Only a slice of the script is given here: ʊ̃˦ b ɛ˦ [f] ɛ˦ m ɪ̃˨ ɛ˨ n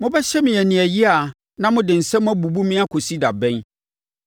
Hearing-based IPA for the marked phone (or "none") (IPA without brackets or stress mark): ɕ